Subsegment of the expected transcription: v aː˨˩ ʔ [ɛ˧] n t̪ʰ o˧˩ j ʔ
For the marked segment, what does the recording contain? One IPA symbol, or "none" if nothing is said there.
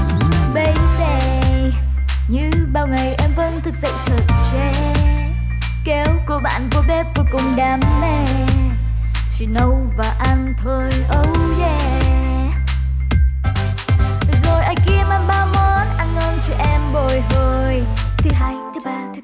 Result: a˧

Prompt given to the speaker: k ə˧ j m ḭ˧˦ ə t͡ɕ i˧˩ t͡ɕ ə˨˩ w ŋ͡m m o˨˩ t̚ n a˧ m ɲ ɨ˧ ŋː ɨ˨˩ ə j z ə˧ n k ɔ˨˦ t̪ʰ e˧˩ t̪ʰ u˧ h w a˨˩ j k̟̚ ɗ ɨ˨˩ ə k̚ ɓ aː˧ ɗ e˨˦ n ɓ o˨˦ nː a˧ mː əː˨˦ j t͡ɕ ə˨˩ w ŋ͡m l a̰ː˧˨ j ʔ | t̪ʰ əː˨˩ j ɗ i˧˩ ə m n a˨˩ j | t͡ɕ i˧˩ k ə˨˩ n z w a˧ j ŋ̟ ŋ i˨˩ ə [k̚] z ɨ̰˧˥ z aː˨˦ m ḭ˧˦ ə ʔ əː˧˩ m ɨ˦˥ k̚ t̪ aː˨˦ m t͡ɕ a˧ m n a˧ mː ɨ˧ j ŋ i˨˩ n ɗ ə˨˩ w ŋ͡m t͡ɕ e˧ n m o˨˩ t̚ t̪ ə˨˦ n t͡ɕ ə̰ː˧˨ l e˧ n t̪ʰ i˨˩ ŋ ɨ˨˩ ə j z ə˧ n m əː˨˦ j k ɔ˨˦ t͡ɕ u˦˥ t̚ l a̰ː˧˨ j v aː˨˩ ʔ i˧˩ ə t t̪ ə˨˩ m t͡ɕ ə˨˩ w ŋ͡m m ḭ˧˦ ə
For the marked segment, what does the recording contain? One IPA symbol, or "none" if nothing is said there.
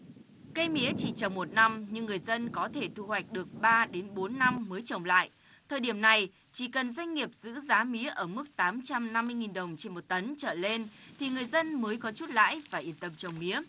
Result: p̚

